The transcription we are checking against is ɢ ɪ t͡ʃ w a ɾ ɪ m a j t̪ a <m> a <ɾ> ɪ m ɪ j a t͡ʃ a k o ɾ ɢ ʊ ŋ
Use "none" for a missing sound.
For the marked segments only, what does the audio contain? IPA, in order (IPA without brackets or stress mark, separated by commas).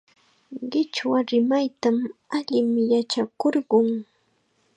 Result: m, ʎ